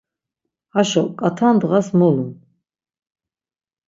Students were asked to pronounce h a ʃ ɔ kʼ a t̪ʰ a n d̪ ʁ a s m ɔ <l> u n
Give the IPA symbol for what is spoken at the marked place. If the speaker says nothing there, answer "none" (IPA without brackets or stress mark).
l